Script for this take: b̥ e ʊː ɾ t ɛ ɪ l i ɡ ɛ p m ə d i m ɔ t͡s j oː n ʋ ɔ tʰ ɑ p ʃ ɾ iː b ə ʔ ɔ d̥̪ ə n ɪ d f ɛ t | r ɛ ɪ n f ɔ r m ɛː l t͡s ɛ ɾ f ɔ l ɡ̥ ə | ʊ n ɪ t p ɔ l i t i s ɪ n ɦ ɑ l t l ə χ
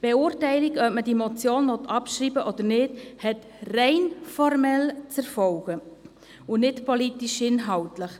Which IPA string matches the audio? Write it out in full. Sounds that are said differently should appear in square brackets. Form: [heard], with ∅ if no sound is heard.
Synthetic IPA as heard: b̥ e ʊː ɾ t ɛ ɪ l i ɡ [œ] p m ə d i m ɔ t͡s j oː n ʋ ɔ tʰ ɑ p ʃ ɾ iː b ə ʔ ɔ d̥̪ ə n ɪ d [h] ɛ t | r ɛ ɪ n f ɔ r m [ɛ] l t͡s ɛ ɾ f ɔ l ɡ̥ ə | ʊ n ɪ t p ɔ l i t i [ʃ] ɪ n ɦ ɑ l t l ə χ